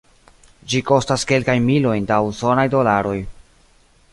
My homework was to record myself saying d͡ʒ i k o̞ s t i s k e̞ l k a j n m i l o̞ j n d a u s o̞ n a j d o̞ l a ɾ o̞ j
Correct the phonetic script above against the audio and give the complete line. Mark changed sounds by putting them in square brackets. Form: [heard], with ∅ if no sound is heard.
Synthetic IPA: d͡ʒ i k o̞ s t [a] s k e̞ l k a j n m i l o̞ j n d a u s o̞ n a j d o̞ l a ɾ o̞ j